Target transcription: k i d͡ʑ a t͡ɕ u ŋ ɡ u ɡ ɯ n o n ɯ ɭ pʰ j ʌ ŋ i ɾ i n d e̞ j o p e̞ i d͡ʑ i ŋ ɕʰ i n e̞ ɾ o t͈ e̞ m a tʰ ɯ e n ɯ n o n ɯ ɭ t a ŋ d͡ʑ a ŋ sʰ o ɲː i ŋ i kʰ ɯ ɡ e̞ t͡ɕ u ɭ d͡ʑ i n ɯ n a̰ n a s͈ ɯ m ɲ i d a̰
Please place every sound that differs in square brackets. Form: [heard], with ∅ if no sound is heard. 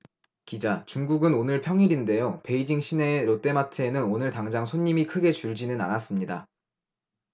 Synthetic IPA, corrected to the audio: k i d͡ʑ a t͡ɕ u ŋ ɡ u ɡ ɯ n o n ɯ ɭ pʰ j ʌ ŋ i ɾ i n d e̞ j o p e̞ i d͡ʑ i ŋ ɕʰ i n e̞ ɾ o t͈ e̞ m a tʰ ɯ e n ɯ n o n ɯ ɭ t a ŋ d͡ʑ a ŋ sʰ o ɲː i [m] i kʰ ɯ ɡ e̞ t͡ɕ u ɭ d͡ʑ i n ɯ n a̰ n a s͈ ɯ m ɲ i d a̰

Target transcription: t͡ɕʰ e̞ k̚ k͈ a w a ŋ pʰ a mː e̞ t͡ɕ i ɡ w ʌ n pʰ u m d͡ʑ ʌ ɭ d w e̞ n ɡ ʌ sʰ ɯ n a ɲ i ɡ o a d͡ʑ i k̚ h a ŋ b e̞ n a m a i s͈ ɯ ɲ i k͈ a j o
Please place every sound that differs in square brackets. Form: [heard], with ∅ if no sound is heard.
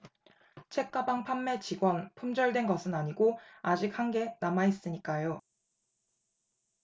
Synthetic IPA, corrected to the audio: t͡ɕʰ e̞ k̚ k͈ a [b] a ŋ pʰ a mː e̞ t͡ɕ i ɡ w ʌ n pʰ u m d͡ʑ ʌ ɭ d w e̞ n ɡ ʌ sʰ ɯ n a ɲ i ɡ o a d͡ʑ i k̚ h a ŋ [ɡ] e̞ n a m a i s͈ ɯ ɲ i k͈ a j o

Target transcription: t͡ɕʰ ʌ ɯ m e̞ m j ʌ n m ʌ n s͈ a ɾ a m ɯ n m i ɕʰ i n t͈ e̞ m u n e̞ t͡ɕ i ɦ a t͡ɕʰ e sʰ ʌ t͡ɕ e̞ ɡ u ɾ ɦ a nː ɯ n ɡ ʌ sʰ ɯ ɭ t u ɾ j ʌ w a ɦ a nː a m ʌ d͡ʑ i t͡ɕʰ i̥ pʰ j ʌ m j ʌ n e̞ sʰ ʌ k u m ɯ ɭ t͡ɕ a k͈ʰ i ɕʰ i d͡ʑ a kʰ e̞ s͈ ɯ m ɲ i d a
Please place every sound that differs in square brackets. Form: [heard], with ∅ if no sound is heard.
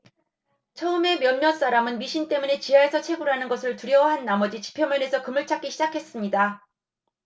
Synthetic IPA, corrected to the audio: t͡ɕʰ ʌ ɯ m e̞ m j ʌ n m ʌ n s͈ a ɾ a m ɯ n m i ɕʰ i n t͈ e̞ m u n e̞ t͡ɕ i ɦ a [∅] e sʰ ʌ [t͡ɕʰ] e̞ ɡ u ɾ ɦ a [n] ɯ n ɡ ʌ sʰ ɯ ɭ t u ɾ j ʌ w a ɦ a nː a m ʌ d͡ʑ i [t͡ɕ] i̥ pʰ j ʌ m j ʌ n e̞ sʰ ʌ k [ɯ] m ɯ ɭ [t͡ɕʰ] a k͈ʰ i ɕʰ i d͡ʑ a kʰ e̞ s͈ ɯ m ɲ i d a

